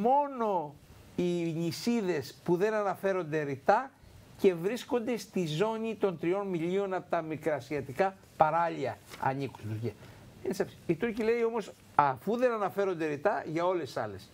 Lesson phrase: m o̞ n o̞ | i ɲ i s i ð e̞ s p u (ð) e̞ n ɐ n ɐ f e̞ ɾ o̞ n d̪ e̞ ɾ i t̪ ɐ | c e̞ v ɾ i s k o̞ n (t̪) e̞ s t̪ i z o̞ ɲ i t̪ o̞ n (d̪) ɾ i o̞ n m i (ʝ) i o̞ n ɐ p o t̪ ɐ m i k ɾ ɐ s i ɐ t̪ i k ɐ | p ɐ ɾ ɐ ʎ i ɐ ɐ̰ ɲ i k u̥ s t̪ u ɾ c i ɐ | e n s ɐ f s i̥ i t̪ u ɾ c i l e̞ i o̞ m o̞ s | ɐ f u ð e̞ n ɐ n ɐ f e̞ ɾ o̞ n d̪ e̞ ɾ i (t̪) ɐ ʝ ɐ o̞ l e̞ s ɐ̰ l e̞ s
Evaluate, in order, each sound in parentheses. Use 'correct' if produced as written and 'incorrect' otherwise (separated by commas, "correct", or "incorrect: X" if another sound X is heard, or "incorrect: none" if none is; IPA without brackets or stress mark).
correct, incorrect: d̪, incorrect: t̪, incorrect: ʎ, correct